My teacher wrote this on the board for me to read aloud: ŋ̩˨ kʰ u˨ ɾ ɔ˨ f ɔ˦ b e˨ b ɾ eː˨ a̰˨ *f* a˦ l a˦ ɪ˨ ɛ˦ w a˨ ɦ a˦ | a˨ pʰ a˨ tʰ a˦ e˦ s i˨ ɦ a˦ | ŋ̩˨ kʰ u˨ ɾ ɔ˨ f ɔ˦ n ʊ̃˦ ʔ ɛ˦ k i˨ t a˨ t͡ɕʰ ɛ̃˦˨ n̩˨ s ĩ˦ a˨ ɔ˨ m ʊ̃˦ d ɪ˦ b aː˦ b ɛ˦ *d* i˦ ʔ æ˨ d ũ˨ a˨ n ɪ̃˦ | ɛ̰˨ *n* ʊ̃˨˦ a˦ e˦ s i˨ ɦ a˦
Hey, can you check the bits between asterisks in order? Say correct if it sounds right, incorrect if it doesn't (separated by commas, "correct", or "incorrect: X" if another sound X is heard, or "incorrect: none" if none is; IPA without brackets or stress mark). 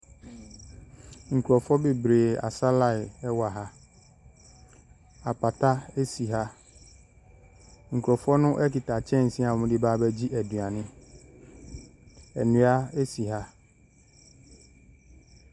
incorrect: s, incorrect: d͡ʑ, correct